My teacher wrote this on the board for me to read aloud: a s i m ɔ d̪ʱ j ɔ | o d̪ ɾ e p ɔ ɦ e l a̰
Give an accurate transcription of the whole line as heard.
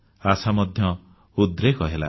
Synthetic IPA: a s a m ɔ d̪ʱ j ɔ | u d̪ ɾ e k ɔ ɦ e l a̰